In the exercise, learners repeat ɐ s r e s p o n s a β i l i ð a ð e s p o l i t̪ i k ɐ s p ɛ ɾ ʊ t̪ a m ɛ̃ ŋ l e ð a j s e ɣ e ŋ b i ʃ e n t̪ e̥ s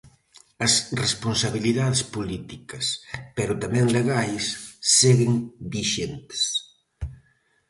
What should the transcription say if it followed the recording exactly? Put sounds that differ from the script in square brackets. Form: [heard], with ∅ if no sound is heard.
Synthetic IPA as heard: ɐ s r e s p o n s a β i l i ð a ð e s p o l i t̪ i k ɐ s p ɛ ɾ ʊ t̪ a m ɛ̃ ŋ l e [ɣ] a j [sː] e ɣ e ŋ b i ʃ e n t̪ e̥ s

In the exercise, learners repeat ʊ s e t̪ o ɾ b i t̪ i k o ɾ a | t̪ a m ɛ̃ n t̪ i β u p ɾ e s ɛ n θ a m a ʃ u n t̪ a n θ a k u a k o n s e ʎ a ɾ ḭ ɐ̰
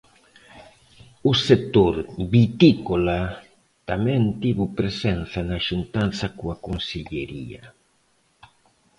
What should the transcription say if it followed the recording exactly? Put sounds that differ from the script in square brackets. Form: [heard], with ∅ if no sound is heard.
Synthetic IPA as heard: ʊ s e t̪ o ɾ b i t̪ i k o [l] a | t̪ a m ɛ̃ n t̪ i β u p ɾ e s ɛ n θ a [n] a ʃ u n t̪ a n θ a k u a k o n s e ʎ [e] ɾ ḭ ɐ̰

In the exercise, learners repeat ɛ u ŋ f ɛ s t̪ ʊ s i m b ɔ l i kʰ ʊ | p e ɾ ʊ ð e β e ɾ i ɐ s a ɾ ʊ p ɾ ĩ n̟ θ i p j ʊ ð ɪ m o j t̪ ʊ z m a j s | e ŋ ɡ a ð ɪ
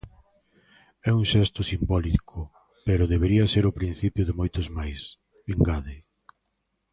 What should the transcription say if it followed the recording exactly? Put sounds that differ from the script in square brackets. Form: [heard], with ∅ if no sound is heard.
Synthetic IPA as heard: ɛ u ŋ [ʃ] ɛ s t̪ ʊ s i m b ɔ l i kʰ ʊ | p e ɾ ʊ ð e β e ɾ i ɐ s [e] ɾ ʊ p ɾ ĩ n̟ θ i p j ʊ ð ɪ m o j t̪ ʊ z m a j s | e ŋ ɡ a ð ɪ

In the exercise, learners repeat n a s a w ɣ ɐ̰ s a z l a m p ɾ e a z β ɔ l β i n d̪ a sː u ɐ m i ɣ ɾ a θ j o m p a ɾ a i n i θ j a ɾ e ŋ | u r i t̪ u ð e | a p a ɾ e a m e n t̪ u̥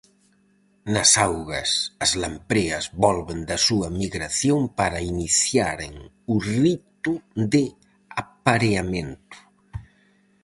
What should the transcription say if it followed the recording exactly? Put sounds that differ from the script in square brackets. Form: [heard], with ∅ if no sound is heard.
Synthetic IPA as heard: n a s a w ɣ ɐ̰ s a z l a m p ɾ e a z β ɔ l β [e] n d̪ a [s] u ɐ m i ɣ ɾ a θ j o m p a ɾ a i n i θ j a ɾ e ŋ | u r i t̪ u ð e | a p a ɾ e a m e n t̪ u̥

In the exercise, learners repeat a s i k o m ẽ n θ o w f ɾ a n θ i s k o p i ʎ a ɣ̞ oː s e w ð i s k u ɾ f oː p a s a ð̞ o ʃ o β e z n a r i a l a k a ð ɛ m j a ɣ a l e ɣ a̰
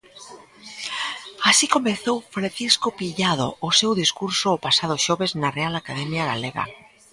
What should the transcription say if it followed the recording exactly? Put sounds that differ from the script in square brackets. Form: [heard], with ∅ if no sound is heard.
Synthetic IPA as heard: a s i k o m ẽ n θ o w f ɾ a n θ i s k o p i ʎ a [ð̞] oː s e w ð i s k u ɾ [s] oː p a s a ð̞ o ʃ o β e z n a r [e] a l a k a ð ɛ m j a ɣ a l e ɣ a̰

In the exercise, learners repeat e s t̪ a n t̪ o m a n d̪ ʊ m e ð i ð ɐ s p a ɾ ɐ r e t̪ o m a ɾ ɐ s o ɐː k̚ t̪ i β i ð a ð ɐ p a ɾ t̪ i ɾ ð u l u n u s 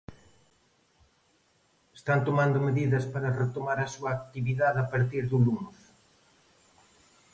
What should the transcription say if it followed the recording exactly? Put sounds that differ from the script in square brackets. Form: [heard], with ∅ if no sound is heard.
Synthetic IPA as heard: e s t̪ a n t̪ o m a n d̪ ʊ m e ð i ð ɐ s p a ɾ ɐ r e t̪ o m a ɾ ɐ s [u] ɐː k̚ t̪ i β i ð a ð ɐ p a ɾ t̪ i ɾ ð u l u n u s

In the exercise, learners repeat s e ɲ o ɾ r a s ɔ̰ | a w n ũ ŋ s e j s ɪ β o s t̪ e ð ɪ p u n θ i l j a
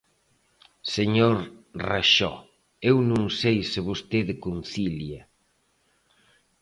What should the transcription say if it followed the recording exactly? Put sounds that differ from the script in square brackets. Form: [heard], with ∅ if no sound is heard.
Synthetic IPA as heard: s e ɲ o ɾ r a [ʃ] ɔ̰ | [e] w n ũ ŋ s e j s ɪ β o s t̪ e ð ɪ [k] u n θ i l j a

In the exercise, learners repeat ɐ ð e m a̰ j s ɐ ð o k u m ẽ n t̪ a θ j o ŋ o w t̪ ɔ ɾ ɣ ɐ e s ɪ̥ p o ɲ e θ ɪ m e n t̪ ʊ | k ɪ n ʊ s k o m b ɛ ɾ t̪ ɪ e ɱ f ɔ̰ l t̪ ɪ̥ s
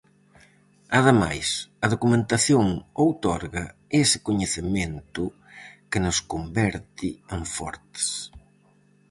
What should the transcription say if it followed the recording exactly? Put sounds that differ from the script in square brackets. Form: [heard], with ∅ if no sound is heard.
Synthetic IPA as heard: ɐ ð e m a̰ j s ɐ ð o k u m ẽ n t̪ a θ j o ŋ o w t̪ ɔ ɾ ɣ ɐ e s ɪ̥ [k] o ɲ e θ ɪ m e n t̪ ʊ | k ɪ n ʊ s k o m b ɛ ɾ t̪ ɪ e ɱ f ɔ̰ [ɾ] t̪ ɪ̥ s

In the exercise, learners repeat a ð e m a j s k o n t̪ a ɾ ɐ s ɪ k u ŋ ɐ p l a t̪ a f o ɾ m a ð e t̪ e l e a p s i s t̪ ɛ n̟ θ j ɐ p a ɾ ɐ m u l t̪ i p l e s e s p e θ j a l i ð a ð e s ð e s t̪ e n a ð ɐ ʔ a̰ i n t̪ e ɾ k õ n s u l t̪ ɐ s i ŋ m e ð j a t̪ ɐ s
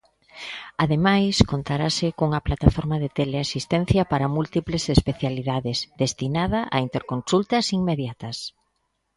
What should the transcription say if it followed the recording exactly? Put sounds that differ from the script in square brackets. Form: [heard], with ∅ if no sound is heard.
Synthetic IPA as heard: a ð e m a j s k o n t̪ a ɾ [a] s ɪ k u ŋ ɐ p l a t̪ a f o ɾ m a ð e t̪ e l e a [∅] s i s t̪ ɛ n̟ θ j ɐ p a ɾ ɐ m u l t̪ i p l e s e s p e θ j a l i ð a ð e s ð e s t̪ [i] n a ð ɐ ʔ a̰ i n t̪ e ɾ k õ n s u l t̪ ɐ s i ŋ m e ð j a t̪ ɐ s

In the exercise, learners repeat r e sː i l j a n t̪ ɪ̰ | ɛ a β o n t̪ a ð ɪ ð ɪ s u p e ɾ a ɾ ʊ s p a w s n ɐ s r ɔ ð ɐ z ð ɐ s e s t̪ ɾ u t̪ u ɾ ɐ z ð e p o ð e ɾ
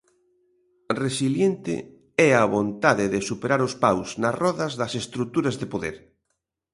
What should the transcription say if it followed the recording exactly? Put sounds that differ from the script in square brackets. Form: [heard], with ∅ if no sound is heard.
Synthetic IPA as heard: r e [s] i l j [e] n t̪ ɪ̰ | ɛ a β o n t̪ a ð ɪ ð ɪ s u p e ɾ a ɾ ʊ s p a w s n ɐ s r ɔ ð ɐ z ð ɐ s e s t̪ ɾ u t̪ u ɾ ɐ z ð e p o ð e ɾ

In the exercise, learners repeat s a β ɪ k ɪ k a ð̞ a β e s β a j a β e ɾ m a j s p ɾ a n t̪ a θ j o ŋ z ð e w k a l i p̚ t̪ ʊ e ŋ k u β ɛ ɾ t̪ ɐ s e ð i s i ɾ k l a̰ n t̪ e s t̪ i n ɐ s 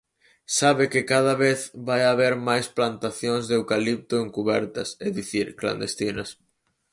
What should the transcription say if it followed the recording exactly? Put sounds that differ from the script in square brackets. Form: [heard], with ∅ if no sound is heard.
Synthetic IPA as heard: s a β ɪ k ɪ k a ð̞ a β e [θ] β a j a β e ɾ m a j s p [l] a n t̪ a θ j o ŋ z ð e w k a l i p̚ t̪ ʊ e ŋ k u β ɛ ɾ t̪ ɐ s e ð i [θ] i ɾ k l a̰ n [d̪] e s t̪ i n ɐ s

